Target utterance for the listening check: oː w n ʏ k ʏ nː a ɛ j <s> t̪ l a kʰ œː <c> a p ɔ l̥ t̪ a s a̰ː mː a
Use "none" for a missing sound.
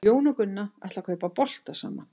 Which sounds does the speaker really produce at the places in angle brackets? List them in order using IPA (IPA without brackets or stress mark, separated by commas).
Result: h, p